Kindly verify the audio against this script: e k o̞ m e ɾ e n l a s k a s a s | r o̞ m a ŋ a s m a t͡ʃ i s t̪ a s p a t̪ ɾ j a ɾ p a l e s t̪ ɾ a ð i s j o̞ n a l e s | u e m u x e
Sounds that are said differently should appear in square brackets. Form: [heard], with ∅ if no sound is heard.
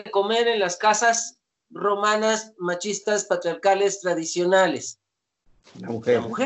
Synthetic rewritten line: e k o̞ m e ɾ e n l a s k a s a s | r o̞ m a [n] a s m a t͡ʃ i s t̪ a s p a t̪ ɾ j a ɾ [k] a l e s t̪ ɾ a ð i s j o̞ n a l e s | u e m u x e